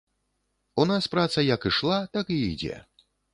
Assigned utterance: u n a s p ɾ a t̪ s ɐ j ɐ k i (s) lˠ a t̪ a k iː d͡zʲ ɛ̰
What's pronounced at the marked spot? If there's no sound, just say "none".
ʂ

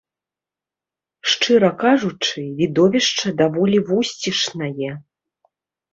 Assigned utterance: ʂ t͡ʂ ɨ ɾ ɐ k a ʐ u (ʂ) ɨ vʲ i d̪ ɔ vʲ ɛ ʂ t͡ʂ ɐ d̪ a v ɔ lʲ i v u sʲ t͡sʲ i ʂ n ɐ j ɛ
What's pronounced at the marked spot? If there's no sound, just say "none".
t͡ʂ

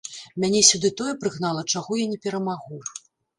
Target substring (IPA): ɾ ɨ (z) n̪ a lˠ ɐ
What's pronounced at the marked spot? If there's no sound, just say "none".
ɣ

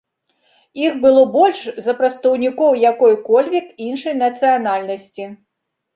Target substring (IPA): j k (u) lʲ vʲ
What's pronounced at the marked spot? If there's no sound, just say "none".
ɔ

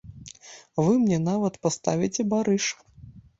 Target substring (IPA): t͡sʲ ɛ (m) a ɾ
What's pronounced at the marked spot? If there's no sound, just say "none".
b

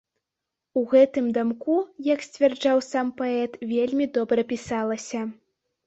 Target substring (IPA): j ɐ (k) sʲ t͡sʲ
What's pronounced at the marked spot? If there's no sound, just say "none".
k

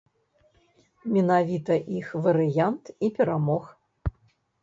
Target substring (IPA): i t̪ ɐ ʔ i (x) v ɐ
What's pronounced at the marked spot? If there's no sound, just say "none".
x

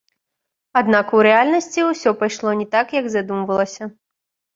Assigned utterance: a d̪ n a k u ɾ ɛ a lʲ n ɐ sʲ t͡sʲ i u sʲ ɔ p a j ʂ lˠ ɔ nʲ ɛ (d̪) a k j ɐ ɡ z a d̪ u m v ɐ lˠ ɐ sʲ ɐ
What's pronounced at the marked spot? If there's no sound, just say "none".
t̪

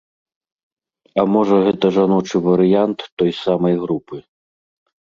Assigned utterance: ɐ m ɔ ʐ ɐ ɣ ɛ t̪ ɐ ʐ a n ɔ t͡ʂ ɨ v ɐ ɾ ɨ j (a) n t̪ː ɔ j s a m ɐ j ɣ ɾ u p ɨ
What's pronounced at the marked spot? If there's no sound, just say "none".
a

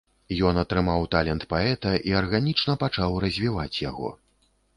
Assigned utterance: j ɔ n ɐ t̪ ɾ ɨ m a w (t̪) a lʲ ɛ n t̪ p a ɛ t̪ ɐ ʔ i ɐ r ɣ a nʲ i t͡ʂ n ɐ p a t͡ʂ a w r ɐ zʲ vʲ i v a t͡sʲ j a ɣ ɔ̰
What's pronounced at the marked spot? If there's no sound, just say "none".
t̪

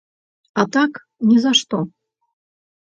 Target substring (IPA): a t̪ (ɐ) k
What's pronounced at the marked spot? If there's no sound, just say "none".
a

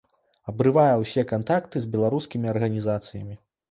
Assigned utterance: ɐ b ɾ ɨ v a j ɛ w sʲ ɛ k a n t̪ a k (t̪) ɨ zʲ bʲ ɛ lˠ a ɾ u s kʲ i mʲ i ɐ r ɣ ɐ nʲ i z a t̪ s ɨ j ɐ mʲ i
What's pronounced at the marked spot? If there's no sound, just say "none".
t̪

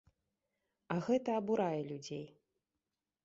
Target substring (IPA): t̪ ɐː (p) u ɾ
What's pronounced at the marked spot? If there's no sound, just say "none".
b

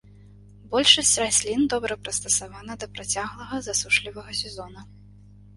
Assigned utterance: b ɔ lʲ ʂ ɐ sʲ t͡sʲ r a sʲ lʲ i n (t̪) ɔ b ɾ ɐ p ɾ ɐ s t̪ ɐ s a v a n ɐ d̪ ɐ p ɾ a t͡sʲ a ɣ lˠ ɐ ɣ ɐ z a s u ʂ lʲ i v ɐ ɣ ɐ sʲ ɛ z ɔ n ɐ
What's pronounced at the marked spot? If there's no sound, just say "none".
d̪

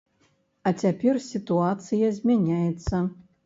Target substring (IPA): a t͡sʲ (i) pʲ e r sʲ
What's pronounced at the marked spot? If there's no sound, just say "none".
a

